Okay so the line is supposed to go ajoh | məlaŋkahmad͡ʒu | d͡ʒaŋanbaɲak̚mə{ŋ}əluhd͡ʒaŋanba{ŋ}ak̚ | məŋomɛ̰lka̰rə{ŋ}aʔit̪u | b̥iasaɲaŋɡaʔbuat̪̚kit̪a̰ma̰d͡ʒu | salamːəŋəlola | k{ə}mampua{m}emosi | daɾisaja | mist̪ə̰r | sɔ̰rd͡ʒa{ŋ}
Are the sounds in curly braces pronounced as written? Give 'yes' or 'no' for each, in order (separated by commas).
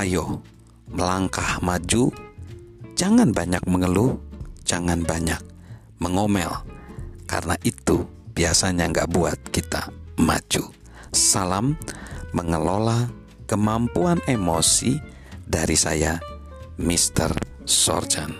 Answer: yes, no, no, yes, no, no